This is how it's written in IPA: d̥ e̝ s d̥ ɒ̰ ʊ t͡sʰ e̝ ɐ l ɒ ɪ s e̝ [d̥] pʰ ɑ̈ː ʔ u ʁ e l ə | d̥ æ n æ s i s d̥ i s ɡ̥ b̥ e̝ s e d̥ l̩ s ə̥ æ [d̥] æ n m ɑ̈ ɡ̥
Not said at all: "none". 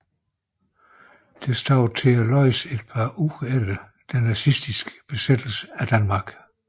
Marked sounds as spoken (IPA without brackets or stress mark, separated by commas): d̥, d̥